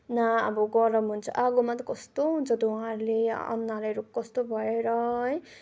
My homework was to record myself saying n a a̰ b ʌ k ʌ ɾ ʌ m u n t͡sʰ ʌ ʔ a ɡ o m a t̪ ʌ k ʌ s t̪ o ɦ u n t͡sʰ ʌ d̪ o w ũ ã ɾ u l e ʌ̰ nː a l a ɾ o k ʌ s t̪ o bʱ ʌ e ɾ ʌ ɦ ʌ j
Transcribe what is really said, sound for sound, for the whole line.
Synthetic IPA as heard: n a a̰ b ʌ ɡ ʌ ɾ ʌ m u n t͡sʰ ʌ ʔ a ɡ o m a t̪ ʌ k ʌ s t̪ o ɦ u n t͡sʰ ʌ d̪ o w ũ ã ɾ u l e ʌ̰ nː a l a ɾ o k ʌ s t̪ o bʱ ʌ e ɾ ʌ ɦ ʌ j

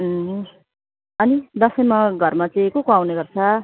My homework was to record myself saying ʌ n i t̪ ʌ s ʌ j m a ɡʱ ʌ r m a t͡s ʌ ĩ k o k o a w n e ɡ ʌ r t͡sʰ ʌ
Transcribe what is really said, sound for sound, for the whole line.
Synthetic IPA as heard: ʌ n i d̪ ʌ s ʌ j m a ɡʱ ʌ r m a t͡s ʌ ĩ k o k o a w n e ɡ ʌ r t͡sʰ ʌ

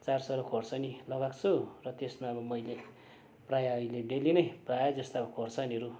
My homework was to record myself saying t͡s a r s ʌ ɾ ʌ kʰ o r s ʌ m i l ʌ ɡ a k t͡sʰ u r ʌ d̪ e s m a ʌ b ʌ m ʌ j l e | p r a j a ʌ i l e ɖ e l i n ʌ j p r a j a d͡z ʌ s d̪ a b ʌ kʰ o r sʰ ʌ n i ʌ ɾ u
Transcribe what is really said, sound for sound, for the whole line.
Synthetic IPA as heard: t͡s a r s ʌ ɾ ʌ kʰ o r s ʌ n i l ʌ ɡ a k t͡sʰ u r ʌ t̪ e s m a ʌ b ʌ m ʌ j l e | p r a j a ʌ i l e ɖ e l i n ʌ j p r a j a d͡z ʌ s t̪ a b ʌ kʰ o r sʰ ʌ n i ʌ ɾ u

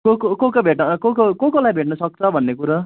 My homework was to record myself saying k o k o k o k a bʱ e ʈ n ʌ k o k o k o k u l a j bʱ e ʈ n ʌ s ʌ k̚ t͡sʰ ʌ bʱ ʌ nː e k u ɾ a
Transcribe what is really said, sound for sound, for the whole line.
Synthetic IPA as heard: k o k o k o k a bʱ e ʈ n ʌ k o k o k o k o l a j bʱ e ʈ n ʌ s ʌ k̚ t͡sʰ ʌ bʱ ʌ nː e k u ɾ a

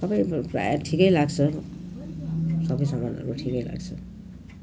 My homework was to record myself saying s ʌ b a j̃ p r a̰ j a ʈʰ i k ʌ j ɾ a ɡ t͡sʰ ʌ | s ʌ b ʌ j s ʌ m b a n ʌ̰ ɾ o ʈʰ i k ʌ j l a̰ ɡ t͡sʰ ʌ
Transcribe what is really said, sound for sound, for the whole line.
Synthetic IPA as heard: s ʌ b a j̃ p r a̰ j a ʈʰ i k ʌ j l a ɡ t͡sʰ ʌ | s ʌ b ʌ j s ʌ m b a n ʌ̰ ɾ u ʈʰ i k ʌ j l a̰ ɡ t͡sʰ ʌ

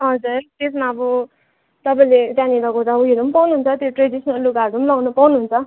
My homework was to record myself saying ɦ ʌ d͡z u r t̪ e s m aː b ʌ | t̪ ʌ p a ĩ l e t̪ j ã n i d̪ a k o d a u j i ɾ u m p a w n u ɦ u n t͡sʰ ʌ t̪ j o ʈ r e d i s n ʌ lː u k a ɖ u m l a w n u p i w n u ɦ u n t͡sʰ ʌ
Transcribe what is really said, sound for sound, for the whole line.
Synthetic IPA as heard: ɦ ʌ d͡z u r t̪ e s m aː b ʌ | t̪ ʌ p a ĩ l e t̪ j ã n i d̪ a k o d a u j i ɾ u m p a w n u ɦ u n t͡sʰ ʌ t̪ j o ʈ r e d i s n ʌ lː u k a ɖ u m l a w n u p a w n u ɦ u n t͡sʰ ʌ

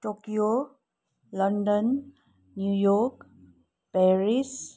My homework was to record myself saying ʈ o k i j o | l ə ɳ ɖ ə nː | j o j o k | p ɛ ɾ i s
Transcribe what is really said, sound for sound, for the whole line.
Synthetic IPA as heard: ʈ o k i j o | l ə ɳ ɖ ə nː | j u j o k | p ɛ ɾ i s

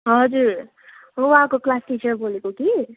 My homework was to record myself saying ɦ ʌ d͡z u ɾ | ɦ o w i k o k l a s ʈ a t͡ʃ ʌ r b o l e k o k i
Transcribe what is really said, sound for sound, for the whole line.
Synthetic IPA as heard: ɦ ʌ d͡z u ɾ | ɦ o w a k o k l a s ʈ i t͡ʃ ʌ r b o l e k o k i

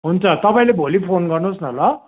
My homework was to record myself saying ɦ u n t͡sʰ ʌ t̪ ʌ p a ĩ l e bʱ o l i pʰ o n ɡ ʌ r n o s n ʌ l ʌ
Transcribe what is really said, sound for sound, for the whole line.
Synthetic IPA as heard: ɦ u n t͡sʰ ʌ t̪ ʌ p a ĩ l e bʱ o l i pʰ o n ɡ ʌ r n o s n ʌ l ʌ

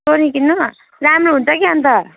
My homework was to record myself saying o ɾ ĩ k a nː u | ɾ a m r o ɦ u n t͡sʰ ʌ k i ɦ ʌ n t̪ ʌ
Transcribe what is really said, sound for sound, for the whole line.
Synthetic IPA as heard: o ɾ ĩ k i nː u | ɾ a m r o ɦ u n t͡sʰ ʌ k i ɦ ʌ n t̪ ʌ

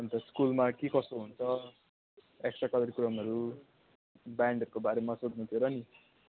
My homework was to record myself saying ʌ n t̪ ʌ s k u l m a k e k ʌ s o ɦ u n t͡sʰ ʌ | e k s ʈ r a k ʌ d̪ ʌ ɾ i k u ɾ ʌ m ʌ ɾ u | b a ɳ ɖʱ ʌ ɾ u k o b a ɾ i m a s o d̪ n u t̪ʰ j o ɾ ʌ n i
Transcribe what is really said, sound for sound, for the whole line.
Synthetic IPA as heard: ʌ n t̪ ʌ s k u l m a k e k ʌ s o ɦ u n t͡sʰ ʌ | e k s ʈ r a k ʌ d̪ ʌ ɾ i k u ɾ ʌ m ʌ ɾ u | b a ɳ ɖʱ ʌ ɾ u k o b a ɾ e m a s o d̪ n u t̪ʰ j o ɾ ʌ n i

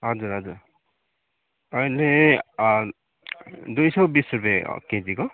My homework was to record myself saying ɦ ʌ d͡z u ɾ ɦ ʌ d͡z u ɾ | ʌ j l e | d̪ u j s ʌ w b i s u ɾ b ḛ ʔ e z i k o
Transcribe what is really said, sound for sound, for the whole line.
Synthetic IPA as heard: ɦ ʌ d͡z u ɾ ɦ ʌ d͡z u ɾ | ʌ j l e | d̪ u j s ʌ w b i s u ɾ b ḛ k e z i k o

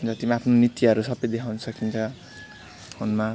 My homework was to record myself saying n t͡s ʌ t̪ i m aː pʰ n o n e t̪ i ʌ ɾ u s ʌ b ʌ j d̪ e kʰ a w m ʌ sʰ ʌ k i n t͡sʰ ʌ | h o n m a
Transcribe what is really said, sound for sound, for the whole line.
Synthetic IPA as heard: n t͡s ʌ t̪ i m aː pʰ n o n i t̪ i ʌ ɾ u s ʌ b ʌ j d̪ e kʰ a w n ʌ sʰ ʌ k i n t͡sʰ ʌ | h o n m a

